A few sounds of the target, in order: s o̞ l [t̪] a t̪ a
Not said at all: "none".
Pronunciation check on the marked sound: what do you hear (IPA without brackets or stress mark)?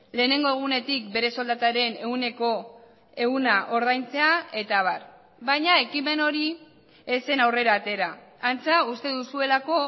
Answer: d̪